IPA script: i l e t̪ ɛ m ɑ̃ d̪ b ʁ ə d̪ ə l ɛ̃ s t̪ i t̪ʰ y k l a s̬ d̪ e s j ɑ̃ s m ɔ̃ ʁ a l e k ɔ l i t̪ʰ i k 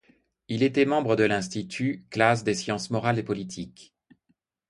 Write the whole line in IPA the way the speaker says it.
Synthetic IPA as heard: i l e t̪ ɛ m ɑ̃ b ʁ ə d̪ ə l ɛ̃ s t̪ i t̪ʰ y k l a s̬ d̪ e s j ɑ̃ s m ɔ ʁ a l e p ɔ l i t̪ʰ i k